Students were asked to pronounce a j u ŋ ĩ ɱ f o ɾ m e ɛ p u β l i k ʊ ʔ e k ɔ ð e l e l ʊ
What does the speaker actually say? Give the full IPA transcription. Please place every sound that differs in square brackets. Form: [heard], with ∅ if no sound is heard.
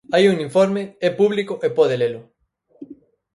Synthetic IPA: a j u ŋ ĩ ɱ f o ɾ m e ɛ p u β l i k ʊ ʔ e [p] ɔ ð e l e l ʊ